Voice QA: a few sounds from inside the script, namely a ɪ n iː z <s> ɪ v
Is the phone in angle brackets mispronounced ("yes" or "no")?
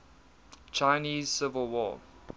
no